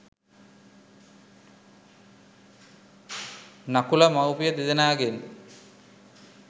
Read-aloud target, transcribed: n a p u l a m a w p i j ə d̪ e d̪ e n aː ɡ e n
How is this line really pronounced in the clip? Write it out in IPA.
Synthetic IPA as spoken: n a k u l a m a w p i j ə d̪ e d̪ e n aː ɡ e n